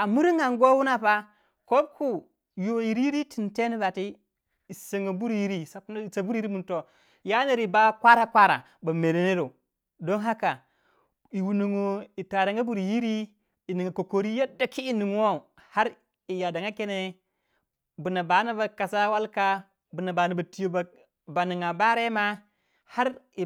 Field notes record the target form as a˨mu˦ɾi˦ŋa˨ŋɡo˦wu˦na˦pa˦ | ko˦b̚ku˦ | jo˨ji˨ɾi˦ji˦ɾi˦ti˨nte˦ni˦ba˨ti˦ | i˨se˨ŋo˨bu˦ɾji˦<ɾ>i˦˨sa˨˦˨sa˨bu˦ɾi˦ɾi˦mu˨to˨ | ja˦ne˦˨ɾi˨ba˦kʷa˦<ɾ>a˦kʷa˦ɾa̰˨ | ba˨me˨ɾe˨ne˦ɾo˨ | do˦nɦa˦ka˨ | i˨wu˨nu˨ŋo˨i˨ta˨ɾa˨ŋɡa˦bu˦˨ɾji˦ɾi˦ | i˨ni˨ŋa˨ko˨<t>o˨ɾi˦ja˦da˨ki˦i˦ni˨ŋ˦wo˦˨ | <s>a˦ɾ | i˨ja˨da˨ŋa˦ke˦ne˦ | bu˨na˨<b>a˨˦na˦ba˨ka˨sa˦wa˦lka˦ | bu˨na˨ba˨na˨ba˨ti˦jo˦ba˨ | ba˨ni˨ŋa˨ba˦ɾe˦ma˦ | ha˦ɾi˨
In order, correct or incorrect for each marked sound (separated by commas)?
correct, correct, incorrect, incorrect, correct